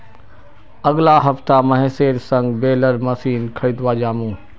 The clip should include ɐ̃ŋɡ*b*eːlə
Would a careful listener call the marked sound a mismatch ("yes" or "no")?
no